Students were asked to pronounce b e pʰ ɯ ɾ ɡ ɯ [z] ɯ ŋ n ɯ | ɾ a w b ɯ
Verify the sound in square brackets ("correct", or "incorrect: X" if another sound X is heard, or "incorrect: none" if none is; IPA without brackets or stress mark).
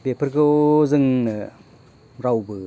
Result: correct